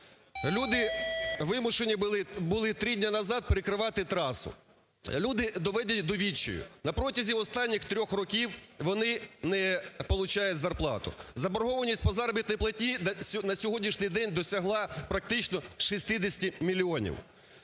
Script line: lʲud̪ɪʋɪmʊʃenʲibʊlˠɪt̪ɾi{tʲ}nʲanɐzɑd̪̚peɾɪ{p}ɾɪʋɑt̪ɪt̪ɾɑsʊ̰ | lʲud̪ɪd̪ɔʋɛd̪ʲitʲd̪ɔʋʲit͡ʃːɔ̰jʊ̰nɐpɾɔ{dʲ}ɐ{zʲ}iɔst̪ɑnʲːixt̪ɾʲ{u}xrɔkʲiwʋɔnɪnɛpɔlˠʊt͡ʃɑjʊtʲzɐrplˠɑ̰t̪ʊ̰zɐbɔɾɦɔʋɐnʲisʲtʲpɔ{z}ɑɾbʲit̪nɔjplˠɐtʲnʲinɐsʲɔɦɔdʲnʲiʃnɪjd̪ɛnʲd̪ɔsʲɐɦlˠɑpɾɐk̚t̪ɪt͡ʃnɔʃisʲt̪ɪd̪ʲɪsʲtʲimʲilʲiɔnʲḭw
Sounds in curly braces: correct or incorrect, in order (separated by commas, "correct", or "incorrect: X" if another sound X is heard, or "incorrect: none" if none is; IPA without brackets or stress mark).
incorrect: dʲ, incorrect: k, incorrect: tʲ, correct, incorrect: ɔ, correct